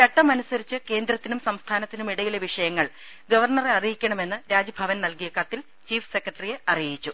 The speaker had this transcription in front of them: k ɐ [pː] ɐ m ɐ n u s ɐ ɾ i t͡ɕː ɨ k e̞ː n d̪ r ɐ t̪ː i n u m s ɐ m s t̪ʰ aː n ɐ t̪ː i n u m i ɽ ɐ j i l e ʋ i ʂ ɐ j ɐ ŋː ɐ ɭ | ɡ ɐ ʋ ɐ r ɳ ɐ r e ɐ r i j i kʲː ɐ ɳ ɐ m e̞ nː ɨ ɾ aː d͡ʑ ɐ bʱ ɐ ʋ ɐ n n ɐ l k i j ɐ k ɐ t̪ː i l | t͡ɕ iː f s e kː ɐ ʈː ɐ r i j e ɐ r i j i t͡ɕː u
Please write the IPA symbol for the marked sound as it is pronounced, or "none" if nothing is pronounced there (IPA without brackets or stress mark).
ʈː